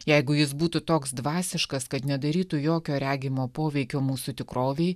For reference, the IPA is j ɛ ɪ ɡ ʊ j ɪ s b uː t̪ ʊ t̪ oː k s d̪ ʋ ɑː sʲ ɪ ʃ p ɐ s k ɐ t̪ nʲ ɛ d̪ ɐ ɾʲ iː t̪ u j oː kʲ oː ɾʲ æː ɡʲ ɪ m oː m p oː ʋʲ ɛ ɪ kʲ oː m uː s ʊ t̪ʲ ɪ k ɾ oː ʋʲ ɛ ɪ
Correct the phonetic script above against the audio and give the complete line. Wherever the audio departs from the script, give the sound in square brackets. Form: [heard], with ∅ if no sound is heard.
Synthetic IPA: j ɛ ɪ ɡ ʊ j ɪ s b uː t̪ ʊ t̪ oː k s d̪ ʋ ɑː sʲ ɪ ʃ [k] ɐ s k ɐ t̪ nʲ ɛ d̪ ɐ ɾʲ iː t̪ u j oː kʲ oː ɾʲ æː ɡʲ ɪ m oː [∅] p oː ʋʲ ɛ ɪ kʲ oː m uː s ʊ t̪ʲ ɪ k ɾ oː ʋʲ ɛ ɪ